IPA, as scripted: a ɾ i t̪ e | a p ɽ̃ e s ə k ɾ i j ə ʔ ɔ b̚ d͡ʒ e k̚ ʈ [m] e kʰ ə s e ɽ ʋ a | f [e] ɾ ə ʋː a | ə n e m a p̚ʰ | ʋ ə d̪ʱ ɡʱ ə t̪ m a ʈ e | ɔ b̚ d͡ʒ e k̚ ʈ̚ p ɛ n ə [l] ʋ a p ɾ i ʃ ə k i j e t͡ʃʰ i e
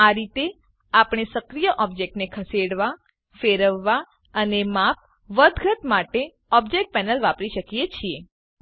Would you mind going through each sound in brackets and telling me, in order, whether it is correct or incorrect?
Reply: incorrect: n, correct, correct

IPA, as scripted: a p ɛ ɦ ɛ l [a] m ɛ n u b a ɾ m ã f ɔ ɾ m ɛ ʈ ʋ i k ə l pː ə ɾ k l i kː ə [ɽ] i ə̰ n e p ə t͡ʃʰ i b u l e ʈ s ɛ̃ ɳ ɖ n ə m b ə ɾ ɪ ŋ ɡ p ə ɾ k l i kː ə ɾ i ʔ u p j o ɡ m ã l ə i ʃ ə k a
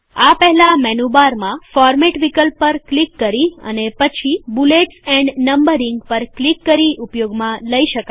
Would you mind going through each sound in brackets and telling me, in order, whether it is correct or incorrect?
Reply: correct, incorrect: ɾ

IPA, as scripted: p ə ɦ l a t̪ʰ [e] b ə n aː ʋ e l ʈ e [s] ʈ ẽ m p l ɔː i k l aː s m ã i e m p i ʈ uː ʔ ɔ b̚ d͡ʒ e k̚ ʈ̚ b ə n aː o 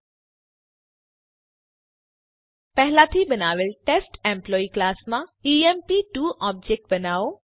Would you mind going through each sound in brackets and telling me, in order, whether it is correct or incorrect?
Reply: incorrect: i, correct

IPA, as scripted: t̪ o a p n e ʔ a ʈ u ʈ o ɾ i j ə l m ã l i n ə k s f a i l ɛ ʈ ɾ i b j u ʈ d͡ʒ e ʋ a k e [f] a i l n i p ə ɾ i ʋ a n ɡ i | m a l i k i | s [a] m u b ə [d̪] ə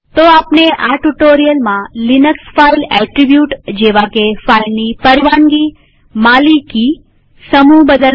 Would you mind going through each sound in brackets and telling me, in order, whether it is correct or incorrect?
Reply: correct, incorrect: ə, correct

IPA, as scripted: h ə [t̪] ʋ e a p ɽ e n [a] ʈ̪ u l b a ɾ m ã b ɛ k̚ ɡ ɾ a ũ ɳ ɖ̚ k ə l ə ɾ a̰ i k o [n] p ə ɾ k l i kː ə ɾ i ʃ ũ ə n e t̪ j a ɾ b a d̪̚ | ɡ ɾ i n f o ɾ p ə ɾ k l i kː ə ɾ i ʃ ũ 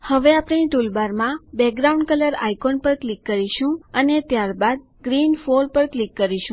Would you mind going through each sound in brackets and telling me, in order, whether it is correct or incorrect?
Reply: incorrect: none, incorrect: i, correct

